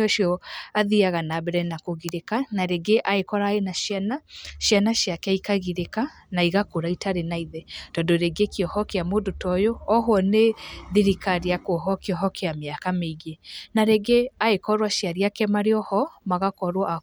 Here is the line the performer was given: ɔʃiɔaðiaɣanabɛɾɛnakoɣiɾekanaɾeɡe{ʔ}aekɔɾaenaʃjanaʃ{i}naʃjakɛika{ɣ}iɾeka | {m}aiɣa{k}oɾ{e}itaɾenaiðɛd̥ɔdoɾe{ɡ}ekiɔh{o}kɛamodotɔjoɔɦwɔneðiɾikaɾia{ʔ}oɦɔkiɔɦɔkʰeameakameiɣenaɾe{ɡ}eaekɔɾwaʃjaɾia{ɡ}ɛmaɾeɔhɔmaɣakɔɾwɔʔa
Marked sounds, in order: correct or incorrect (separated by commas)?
correct, incorrect, correct, incorrect, correct, incorrect, correct, incorrect, incorrect, correct, incorrect